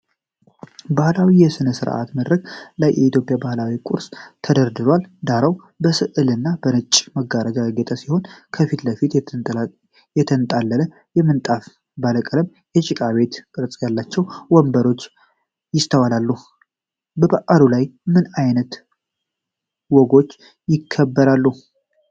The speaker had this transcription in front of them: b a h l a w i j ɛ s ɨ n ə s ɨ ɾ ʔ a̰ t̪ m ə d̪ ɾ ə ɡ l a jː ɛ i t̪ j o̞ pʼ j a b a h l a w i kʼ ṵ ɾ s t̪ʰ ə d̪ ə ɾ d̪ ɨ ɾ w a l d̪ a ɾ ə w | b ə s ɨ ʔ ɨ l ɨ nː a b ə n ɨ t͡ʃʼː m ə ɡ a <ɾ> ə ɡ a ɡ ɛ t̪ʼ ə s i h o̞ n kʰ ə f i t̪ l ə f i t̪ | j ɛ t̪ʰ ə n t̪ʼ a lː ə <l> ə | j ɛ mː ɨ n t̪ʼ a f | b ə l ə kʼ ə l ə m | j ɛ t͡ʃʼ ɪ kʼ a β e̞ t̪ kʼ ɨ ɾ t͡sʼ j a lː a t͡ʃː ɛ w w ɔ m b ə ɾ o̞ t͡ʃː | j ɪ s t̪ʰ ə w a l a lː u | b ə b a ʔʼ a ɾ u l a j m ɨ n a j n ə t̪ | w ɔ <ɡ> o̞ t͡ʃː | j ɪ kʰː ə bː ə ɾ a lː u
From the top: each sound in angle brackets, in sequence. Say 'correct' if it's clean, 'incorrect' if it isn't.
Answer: correct, correct, correct

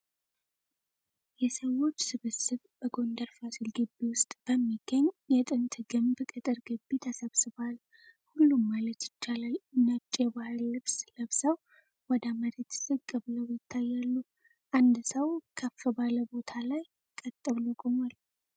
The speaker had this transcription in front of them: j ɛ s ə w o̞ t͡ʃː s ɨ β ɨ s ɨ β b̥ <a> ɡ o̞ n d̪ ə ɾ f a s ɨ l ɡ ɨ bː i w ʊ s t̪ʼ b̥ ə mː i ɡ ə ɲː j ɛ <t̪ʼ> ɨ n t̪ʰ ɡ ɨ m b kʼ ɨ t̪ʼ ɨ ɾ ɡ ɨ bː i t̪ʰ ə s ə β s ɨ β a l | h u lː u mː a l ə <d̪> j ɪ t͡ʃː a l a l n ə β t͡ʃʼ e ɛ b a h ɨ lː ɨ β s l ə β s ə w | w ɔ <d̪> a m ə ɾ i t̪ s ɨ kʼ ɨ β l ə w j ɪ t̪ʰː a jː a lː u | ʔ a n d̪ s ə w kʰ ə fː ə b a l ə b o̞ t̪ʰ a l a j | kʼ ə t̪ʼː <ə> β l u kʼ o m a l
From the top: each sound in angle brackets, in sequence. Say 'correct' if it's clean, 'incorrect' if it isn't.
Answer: incorrect: ə, correct, incorrect: t̪, correct, correct

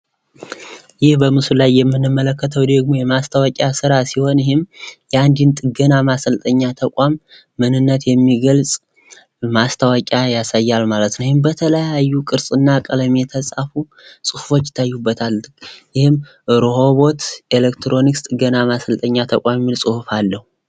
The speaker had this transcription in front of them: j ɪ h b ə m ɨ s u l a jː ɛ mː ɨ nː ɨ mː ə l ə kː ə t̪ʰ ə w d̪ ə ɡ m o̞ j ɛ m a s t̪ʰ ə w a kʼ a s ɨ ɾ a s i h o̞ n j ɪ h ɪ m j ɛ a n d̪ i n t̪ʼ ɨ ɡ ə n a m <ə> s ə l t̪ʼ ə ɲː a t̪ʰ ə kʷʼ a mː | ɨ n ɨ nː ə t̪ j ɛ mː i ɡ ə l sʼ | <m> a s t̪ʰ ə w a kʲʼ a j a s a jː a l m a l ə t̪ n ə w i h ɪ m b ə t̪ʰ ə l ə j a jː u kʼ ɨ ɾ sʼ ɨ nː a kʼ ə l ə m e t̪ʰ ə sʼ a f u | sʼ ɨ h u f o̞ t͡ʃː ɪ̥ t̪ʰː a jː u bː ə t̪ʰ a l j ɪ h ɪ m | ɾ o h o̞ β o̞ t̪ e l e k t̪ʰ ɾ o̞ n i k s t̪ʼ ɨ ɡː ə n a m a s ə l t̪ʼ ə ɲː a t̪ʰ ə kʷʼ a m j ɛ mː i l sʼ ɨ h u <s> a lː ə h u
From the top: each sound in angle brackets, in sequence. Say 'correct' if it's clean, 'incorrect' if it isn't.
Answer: incorrect: a, correct, incorrect: f

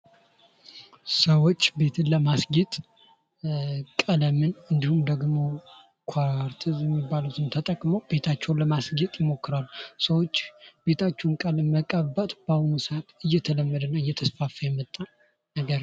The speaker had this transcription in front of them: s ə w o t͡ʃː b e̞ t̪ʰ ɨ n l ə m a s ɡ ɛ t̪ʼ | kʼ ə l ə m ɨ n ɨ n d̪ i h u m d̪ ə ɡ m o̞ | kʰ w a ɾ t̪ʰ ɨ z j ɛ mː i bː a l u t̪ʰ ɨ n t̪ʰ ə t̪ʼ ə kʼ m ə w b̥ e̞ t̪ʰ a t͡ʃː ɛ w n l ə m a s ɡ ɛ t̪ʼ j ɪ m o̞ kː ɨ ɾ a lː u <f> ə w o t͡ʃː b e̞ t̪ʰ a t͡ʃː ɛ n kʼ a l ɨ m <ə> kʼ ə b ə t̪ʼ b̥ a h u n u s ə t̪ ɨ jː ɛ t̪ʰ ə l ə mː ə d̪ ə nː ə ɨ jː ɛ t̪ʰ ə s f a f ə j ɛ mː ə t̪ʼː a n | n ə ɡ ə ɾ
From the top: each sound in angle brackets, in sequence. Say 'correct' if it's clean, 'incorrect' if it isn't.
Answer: incorrect: s, correct

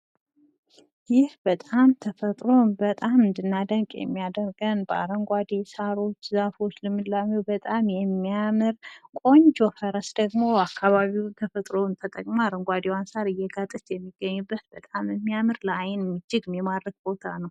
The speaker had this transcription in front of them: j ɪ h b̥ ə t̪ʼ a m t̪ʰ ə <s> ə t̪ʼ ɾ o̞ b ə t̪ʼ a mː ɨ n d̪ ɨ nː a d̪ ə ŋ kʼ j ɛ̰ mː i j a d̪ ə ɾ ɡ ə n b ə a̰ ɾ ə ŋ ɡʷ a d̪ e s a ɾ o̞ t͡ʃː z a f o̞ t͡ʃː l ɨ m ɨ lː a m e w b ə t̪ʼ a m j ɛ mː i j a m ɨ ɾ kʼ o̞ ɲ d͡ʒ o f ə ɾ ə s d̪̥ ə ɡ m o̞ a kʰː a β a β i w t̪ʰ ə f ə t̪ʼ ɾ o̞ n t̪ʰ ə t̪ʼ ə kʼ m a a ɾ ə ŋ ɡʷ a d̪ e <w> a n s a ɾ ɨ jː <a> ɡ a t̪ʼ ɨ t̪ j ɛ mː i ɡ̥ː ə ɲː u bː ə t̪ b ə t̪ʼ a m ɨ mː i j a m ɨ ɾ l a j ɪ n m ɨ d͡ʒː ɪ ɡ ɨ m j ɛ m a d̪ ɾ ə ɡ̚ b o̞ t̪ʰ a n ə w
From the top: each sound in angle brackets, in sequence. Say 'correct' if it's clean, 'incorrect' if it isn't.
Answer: incorrect: f, correct, incorrect: ɛ

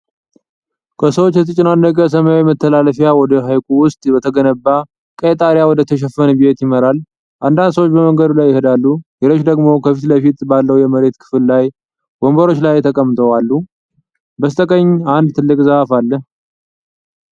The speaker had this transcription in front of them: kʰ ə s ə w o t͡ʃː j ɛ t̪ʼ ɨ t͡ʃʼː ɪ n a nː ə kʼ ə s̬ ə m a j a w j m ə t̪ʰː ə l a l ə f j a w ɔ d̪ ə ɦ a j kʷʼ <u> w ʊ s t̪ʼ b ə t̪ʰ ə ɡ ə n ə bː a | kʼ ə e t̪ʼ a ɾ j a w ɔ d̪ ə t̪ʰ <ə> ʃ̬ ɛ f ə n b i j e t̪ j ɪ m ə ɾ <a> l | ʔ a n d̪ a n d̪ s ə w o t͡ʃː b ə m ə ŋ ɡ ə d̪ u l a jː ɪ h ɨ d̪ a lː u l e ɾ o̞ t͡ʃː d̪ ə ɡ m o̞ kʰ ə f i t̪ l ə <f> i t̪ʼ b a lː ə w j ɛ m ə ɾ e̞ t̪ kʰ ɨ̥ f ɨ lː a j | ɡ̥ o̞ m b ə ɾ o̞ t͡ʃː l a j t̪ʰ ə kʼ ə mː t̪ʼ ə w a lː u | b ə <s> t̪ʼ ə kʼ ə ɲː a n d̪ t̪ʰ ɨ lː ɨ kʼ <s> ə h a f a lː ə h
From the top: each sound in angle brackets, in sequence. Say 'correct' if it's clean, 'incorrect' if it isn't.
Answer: correct, correct, correct, correct, correct, incorrect: z

